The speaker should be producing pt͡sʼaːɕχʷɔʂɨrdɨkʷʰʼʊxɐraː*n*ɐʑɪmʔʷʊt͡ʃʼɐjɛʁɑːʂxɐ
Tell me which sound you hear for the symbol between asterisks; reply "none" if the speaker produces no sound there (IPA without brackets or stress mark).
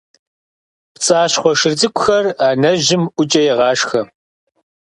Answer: n